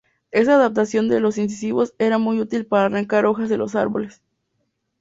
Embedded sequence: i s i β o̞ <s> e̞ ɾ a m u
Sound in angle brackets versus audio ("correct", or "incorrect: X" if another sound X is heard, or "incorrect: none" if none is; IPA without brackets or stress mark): correct